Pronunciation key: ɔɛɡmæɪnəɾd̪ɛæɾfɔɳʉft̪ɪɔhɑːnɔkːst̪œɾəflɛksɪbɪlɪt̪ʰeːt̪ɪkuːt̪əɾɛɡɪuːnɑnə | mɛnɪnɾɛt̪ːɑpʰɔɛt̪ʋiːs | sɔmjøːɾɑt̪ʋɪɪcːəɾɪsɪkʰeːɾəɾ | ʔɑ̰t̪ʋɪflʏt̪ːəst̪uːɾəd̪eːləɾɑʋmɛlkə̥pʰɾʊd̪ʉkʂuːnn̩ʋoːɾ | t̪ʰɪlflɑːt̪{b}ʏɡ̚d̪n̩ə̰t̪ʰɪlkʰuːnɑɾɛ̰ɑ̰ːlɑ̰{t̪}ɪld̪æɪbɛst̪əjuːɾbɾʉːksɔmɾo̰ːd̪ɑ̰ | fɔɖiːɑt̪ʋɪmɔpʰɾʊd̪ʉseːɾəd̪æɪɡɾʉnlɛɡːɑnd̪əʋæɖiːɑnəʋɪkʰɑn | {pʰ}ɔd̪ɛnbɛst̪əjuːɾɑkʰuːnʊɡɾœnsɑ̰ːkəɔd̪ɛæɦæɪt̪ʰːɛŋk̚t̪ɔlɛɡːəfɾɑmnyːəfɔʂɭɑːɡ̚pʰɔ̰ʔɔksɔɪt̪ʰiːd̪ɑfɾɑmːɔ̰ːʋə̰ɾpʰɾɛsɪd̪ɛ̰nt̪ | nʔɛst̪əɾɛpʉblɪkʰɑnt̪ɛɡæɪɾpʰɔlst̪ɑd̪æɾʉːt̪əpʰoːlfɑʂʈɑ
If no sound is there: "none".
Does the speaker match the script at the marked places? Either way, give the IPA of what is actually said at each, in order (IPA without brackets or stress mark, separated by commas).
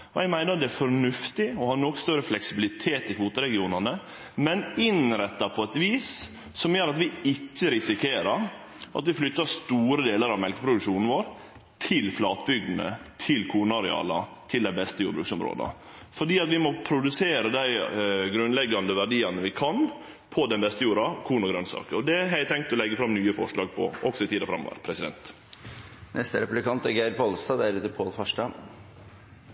b, t̪ʰ, pʰ